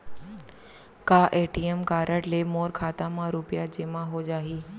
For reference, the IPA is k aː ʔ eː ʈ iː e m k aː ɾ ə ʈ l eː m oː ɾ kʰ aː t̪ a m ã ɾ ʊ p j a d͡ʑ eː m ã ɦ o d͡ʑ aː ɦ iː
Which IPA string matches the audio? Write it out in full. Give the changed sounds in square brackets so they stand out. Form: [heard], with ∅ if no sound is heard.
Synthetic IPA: k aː ʔ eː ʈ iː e m k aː ɾ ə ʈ l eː m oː ɾ kʰ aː t̪ a m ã ɾ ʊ p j a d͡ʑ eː m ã ɦ o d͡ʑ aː ɦ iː

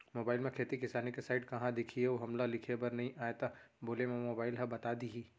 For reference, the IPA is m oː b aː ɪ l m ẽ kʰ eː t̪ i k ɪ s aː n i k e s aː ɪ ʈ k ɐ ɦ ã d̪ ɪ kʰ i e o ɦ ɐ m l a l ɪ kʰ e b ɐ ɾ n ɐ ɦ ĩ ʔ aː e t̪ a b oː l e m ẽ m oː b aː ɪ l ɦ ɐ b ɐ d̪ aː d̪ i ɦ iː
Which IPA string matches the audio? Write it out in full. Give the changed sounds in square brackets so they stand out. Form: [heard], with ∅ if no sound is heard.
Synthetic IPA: m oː b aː ɪ l m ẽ kʰ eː t̪ i k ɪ s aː n i k e s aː ɪ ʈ k ɐ ɦ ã d̪ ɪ kʰ i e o ɦ ɐ m l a l ɪ kʰ e b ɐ ɾ n ɐ ɦ ĩ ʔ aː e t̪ a b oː l e m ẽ m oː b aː ɪ l ɦ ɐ b ɐ [t̪] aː d̪ i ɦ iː

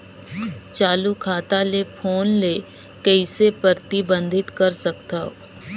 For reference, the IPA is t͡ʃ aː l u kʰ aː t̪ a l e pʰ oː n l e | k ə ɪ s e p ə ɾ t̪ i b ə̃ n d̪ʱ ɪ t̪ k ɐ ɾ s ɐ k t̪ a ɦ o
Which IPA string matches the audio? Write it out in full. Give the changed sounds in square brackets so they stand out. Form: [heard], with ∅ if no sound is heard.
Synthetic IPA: t͡ʃ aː l u kʰ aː t̪ a l e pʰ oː n l e | k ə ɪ s e p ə ɾ t̪ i b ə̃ n d̪ʱ ɪ t̪ k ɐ ɾ s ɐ k t̪ a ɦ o

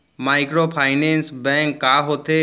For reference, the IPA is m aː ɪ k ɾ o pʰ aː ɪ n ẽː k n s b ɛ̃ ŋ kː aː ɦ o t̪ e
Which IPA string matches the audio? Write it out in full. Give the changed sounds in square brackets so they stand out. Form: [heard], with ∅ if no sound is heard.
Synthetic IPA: m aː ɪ k ɾ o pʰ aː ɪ n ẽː [∅] n s b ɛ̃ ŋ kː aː ɦ o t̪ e

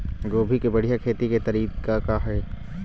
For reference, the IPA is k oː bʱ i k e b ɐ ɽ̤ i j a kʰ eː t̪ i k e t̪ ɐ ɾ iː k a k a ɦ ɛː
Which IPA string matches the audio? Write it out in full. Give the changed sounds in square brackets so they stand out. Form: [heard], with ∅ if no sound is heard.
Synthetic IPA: [ɡ] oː bʱ i k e b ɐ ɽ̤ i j a kʰ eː t̪ i k e t̪ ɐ ɾ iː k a k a ɦ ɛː

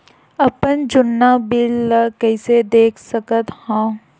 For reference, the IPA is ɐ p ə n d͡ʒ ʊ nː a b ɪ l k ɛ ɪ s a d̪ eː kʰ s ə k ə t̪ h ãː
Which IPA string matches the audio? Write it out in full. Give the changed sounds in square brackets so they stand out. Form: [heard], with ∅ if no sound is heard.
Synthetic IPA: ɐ p ə n d͡ʒ ʊ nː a b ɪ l k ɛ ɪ s [e] d̪ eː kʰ s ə k ə t̪ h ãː

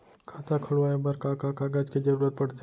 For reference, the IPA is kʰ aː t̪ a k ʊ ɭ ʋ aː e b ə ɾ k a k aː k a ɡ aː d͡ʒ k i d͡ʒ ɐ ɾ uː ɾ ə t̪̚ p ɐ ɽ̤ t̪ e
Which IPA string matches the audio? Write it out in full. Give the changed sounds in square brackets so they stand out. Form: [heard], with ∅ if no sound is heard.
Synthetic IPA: kʰ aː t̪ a [kʰ] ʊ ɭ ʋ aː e b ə ɾ k a k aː k a ɡ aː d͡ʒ k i d͡ʒ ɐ ɾ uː ɾ ə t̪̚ p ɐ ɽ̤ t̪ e

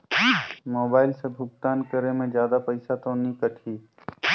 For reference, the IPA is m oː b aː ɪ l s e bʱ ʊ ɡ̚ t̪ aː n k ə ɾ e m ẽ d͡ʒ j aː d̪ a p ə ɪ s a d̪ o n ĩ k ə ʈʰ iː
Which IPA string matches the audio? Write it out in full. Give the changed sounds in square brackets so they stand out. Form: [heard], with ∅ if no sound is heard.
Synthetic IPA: m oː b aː ɪ l s e bʱ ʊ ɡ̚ t̪ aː n k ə ɾ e m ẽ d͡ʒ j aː d̪ a p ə ɪ s a [t̪] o n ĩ k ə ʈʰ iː

